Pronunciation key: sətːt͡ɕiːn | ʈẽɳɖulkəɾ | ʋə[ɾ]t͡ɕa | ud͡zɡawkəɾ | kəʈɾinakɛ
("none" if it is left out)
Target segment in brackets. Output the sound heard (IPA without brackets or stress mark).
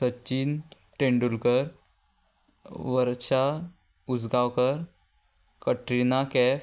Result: ɾ